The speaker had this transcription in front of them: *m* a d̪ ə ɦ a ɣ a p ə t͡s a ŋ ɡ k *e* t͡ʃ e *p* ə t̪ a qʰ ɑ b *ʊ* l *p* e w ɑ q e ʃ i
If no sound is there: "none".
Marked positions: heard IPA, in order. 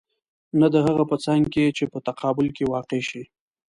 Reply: n, e, p, ʊ, k

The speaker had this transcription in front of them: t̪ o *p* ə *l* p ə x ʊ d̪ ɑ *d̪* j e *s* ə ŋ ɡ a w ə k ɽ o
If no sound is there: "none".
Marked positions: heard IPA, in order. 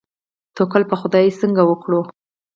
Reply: k, l, none, s

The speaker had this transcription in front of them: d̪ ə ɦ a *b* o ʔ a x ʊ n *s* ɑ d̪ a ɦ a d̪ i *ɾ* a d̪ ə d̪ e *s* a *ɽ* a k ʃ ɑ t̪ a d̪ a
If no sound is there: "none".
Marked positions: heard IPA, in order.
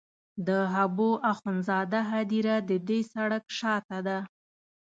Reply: b, z, ɾ, s, ɽ

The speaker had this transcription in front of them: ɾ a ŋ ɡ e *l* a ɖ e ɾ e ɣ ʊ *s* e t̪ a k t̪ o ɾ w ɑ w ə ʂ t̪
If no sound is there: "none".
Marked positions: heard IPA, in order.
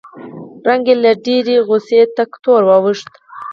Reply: l, s

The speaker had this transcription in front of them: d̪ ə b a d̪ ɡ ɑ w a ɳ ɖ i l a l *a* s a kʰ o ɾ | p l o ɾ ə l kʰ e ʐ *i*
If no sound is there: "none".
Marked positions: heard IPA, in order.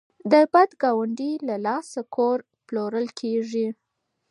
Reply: ɑ, i

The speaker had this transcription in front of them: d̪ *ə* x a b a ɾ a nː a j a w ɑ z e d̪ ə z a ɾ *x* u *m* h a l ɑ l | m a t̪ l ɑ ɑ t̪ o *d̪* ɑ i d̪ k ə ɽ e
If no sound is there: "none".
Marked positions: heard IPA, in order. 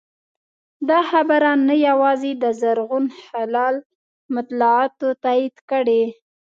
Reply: ɑ, ɣ, n, t̪

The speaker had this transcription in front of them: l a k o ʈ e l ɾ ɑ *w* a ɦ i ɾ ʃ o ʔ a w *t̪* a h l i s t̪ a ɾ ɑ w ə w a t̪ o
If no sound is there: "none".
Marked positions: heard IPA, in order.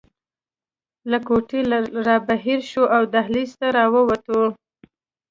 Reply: b, d̪

